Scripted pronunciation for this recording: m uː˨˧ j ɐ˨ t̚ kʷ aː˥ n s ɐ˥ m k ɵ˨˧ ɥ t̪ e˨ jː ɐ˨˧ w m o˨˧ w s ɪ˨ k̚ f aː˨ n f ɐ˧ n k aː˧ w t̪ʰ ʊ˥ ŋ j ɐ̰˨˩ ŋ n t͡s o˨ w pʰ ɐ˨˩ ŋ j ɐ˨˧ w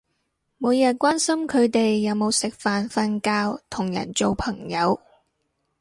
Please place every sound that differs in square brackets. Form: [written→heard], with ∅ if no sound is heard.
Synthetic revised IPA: m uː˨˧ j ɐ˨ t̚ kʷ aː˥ n s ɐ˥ m [k→kʰ] ɵ˨˧ ɥ t̪ e˨ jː ɐ˨˧ w m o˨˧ w s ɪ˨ k̚ f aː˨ n f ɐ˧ n k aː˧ w t̪ʰ [ʊ˥→ʊ˨˩] ŋ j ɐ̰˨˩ [ŋ→∅] n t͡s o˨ w pʰ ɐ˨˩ ŋ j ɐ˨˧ w